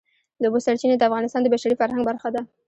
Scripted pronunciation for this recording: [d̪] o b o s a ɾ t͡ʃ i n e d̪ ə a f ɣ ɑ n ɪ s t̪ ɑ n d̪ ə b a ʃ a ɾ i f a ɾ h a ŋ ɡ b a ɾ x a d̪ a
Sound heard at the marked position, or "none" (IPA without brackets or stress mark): d̪